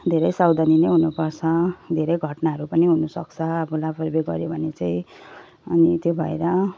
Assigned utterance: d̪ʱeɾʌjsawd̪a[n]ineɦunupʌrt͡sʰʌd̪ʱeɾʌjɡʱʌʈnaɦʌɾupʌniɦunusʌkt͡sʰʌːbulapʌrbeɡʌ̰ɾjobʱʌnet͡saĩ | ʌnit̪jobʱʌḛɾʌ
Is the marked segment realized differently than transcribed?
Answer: no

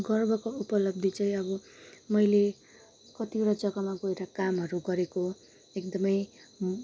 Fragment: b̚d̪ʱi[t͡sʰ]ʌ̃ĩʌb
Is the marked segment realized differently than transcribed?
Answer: yes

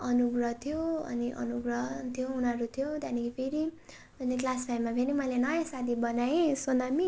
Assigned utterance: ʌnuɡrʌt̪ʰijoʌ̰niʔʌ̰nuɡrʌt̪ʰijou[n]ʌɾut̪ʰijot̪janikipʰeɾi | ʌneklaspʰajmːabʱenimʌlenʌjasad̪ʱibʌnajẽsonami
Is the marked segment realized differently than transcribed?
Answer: no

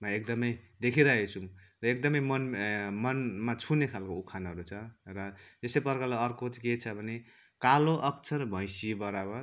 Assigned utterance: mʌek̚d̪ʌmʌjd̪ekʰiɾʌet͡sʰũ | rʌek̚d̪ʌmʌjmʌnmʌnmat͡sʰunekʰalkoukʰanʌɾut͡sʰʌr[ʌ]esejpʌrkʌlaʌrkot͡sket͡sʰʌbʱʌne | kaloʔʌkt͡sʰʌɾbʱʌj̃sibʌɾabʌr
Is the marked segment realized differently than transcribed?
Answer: no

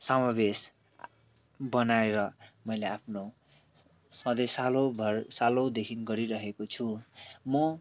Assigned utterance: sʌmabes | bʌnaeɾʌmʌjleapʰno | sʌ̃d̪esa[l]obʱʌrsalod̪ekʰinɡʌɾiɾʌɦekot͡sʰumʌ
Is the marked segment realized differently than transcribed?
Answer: no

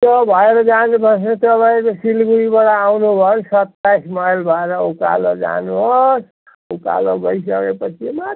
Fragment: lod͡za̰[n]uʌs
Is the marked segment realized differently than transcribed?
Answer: no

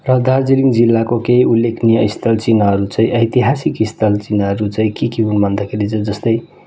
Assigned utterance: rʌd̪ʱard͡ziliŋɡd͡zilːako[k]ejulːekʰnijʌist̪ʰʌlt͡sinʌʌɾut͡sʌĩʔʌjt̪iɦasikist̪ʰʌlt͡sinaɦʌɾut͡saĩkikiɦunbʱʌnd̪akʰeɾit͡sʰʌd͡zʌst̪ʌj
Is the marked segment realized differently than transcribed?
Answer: no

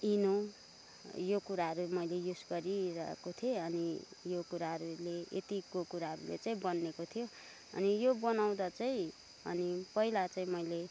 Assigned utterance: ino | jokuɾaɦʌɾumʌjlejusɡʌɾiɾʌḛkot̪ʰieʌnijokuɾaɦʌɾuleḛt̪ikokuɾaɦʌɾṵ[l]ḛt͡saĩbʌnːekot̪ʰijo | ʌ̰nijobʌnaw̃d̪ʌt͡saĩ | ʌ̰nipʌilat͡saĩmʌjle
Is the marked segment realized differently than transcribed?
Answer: no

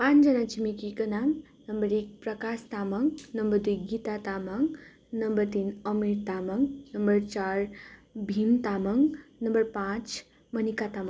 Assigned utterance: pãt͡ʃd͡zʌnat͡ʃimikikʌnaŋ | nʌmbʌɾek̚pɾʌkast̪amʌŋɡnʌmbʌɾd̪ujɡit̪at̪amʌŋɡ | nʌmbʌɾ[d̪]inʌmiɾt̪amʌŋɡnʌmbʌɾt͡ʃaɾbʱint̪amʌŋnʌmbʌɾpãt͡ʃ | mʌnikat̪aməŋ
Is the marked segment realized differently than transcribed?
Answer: yes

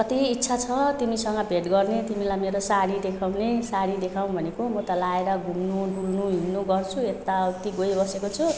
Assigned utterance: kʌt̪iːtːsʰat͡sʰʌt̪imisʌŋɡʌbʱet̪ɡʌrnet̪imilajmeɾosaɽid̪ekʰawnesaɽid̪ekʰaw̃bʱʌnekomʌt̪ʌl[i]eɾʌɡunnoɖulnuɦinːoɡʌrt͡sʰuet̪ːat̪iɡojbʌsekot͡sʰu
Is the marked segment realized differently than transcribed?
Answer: yes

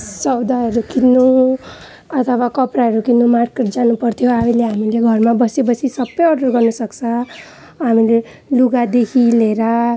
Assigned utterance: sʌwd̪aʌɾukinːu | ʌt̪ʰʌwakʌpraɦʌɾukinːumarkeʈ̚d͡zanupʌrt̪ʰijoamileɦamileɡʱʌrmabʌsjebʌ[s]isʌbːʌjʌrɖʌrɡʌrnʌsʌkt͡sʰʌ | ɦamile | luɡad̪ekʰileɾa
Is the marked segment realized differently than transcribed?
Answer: no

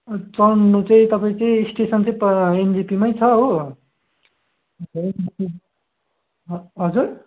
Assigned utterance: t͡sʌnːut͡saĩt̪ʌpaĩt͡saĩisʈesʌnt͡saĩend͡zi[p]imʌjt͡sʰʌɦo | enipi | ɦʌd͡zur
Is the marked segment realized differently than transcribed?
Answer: no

